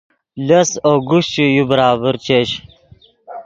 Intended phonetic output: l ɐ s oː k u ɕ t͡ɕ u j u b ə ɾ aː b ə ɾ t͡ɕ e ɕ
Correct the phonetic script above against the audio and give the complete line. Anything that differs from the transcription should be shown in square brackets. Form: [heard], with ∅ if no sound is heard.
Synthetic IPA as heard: l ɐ s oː [ɡ] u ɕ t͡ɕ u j u b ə ɾ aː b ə ɾ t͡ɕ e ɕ

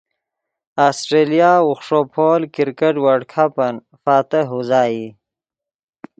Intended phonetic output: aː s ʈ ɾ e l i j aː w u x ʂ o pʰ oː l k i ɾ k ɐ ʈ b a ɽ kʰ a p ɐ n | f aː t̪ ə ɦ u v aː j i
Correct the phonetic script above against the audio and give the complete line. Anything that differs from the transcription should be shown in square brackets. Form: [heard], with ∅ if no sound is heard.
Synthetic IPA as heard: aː s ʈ ɾ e l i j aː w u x ʂ o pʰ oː l k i ɾ k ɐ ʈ [w] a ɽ kʰ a p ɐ n | f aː t̪ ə ɦ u [z] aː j i

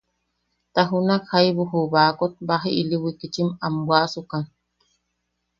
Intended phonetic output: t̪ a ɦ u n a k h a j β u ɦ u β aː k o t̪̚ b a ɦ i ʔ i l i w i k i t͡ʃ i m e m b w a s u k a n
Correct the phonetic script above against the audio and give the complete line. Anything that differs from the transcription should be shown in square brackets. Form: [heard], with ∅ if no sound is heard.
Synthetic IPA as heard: t̪ a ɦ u n a k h a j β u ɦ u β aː k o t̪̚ b a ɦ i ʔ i l i w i k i t͡ʃ i m [a] m b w a s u k a n

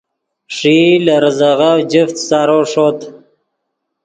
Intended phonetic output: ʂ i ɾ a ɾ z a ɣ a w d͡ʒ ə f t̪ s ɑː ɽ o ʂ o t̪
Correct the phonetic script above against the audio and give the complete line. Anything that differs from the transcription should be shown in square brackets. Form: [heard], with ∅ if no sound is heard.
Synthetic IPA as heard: ʂ i [l] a ɾ z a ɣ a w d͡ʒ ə f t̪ s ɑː [ɾ] o ʂ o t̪

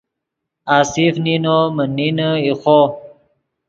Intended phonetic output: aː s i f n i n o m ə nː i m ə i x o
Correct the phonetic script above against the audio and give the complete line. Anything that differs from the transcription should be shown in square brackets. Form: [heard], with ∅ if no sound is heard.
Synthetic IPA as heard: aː s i f n i n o m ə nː i [n] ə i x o

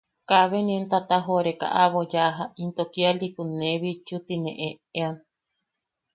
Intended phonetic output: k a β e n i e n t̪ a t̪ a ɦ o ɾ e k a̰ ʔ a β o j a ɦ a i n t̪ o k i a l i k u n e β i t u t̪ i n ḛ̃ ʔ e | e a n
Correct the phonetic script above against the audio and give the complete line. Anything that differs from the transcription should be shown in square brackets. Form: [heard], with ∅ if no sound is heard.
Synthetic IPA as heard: k a β e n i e n t̪ a t̪ a ɦ o ɾ e k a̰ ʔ a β o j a ɦ a i n t̪ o k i a l i k u n e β i [t͡ʃ] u t̪ i n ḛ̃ ʔ e | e a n

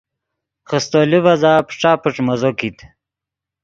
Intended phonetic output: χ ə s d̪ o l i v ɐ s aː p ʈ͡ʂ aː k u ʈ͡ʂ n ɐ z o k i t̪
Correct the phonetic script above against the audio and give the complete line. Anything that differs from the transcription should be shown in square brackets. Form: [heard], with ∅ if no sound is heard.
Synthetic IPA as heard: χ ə s [t̪] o l i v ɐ [z] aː p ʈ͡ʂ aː [p] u ʈ͡ʂ [m] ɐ z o k i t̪

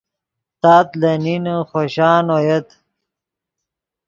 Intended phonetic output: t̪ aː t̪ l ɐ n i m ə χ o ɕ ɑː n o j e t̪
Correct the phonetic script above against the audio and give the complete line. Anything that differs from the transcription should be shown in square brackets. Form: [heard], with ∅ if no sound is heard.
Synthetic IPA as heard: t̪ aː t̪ l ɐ n i [n] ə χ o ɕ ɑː n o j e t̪

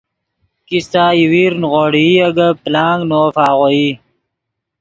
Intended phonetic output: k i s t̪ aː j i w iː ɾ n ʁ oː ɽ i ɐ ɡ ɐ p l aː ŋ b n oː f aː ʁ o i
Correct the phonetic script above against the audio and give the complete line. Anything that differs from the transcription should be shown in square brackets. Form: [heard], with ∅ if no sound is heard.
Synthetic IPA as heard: k i s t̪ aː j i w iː ɾ n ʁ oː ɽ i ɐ ɡ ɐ p l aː ŋ [ɡ] n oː f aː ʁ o i

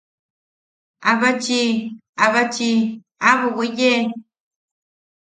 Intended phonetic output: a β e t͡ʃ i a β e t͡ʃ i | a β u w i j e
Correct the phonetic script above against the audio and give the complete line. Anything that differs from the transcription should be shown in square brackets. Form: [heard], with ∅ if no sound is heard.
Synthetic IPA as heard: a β [a] t͡ʃ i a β [a] t͡ʃ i | a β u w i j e

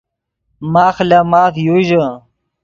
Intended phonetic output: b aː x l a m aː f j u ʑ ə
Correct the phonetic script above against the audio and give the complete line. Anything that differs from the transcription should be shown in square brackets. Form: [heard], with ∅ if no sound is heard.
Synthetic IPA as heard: [m] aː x l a m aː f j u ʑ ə

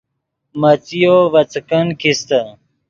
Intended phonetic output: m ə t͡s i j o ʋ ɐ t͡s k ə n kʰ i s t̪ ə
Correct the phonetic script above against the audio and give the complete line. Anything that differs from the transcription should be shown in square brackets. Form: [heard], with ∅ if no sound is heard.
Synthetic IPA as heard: m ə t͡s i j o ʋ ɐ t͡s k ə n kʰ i s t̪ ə

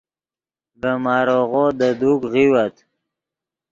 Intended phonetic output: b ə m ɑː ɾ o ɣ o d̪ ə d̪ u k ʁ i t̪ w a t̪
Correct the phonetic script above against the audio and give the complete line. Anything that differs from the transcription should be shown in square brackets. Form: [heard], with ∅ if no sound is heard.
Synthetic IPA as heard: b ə m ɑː ɾ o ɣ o d̪ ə d̪ u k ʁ i [∅] w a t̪

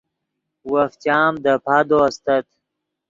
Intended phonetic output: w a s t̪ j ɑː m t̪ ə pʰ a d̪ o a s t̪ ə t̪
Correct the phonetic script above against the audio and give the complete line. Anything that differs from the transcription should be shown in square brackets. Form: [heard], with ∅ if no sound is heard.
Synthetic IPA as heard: w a [f] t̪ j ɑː m [d̪] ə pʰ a d̪ o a s t̪ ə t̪

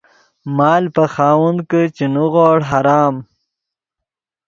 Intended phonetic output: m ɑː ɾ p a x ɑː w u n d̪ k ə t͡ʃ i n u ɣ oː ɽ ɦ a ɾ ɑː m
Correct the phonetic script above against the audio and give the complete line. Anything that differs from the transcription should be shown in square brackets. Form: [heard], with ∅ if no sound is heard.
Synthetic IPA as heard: m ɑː [l] p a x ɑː w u n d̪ k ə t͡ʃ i n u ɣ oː ɽ ɦ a ɾ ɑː m

